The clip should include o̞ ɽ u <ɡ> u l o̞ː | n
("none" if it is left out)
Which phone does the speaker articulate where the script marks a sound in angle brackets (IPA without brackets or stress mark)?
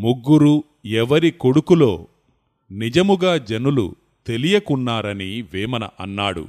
k